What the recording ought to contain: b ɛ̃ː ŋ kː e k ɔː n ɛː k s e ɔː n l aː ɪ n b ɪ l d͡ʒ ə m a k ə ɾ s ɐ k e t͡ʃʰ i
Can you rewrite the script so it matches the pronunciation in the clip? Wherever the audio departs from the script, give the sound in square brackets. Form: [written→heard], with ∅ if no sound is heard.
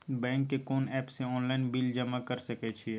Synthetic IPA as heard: b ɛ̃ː ŋ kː e k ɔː n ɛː [k→p] s e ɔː n l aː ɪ n b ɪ l d͡ʒ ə m a k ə ɾ s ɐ k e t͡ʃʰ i